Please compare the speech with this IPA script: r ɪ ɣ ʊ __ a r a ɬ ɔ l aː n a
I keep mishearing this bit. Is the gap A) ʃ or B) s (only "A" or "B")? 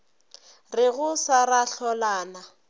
B